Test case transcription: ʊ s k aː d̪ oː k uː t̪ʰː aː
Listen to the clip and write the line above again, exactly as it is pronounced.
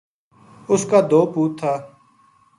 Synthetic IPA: ʊ s k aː d̪ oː p uː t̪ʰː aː